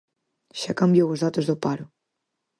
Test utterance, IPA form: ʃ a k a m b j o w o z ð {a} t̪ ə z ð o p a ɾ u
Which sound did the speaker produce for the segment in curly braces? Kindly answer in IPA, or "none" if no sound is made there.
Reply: a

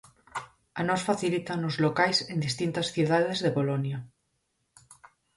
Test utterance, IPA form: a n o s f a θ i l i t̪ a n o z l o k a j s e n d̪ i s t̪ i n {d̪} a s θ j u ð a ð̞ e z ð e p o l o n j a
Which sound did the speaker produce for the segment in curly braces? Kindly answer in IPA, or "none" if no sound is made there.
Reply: t̪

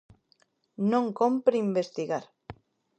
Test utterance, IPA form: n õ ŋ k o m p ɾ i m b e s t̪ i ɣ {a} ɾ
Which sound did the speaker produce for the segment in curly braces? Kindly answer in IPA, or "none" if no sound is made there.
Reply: a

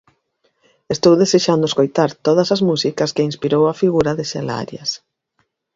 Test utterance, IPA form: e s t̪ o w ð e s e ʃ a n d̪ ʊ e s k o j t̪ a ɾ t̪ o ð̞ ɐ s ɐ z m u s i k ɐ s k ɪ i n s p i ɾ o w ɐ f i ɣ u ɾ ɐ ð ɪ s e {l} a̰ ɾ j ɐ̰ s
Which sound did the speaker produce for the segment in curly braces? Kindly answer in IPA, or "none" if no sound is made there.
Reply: l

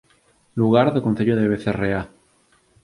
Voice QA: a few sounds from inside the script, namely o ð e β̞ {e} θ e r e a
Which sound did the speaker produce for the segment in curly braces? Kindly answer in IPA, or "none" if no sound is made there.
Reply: e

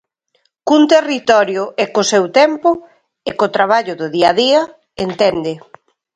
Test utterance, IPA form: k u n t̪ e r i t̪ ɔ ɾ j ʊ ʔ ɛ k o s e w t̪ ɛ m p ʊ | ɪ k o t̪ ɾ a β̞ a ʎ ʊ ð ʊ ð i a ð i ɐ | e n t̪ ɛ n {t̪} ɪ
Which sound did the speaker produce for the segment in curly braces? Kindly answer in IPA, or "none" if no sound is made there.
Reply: d̪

